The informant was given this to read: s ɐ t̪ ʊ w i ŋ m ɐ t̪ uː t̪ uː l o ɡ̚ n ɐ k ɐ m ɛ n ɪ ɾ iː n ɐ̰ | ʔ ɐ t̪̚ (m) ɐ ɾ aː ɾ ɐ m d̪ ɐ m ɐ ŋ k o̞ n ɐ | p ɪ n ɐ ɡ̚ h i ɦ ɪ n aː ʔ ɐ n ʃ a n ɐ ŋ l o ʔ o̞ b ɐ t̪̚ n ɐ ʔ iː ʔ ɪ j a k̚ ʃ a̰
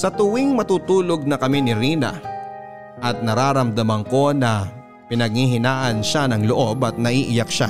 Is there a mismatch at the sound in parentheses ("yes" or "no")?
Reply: yes